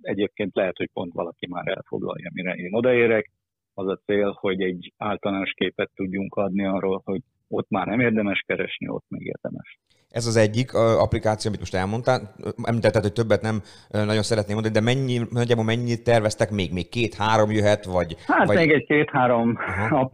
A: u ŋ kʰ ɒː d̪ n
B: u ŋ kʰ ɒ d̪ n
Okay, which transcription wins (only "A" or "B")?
B